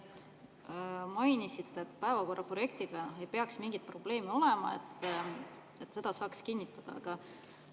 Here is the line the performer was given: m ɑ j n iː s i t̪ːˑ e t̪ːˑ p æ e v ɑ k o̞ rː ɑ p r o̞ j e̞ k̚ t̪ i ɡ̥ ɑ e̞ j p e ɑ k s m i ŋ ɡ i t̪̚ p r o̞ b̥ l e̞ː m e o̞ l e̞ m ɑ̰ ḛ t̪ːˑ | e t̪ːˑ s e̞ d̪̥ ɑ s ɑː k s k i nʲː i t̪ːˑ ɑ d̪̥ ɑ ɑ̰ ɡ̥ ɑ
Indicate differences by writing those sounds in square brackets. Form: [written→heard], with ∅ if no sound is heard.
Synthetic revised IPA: m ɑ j n [iː→i] s i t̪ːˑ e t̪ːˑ p æ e v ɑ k o̞ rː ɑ p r o̞ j e̞ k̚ t̪ i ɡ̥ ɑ e̞ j p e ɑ k s m i ŋ ɡ i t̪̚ p r o̞ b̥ l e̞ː m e o̞ l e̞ m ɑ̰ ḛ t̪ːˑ | e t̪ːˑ s e̞ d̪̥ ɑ s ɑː k s k i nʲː i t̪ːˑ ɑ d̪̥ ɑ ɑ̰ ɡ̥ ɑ